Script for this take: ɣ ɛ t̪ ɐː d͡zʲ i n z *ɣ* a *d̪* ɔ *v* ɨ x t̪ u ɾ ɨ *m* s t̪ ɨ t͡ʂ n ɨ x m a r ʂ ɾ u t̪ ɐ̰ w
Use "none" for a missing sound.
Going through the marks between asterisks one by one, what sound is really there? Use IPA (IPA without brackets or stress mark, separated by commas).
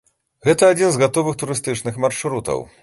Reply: ɣ, t̪, v, none